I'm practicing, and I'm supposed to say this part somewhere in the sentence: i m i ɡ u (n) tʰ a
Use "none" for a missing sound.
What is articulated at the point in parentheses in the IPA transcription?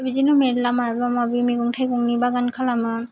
ŋ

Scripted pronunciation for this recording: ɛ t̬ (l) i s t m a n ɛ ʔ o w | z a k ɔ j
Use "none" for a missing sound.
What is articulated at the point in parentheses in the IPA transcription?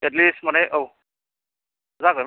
l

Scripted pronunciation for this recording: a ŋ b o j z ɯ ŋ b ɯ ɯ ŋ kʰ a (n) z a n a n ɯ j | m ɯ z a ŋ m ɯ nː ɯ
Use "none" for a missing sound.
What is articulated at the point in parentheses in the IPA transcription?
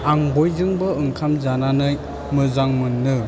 m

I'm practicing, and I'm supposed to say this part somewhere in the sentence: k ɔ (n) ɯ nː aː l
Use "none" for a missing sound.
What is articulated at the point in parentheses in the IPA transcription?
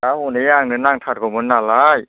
m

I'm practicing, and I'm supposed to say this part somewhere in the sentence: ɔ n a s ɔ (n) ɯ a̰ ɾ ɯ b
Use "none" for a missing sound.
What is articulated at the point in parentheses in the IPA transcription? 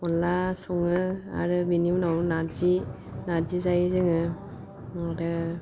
ŋ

